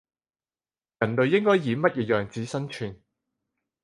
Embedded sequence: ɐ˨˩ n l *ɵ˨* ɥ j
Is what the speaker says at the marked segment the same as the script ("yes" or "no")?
yes